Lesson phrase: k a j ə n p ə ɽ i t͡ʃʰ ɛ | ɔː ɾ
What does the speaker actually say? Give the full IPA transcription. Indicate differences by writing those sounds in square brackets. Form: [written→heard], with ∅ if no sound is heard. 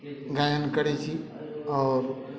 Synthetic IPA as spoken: [k→ɡ] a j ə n [p→k] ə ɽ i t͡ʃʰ [ɛ→i] | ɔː ɾ